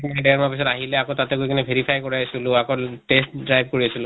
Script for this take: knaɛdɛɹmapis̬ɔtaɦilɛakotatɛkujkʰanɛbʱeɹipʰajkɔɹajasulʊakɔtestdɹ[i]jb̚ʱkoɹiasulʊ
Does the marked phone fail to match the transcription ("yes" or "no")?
yes